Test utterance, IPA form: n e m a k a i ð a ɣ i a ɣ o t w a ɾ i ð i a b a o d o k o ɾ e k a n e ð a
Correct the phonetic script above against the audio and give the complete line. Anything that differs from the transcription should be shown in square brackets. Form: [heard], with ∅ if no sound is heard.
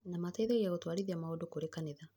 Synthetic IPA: n [a] m a [t] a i ð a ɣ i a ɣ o t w a ɾ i ð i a [m] a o d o k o ɾ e k a n e ð a